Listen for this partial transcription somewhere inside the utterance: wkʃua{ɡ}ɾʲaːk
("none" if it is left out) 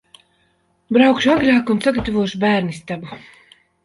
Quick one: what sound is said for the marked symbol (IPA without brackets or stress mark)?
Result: ɡ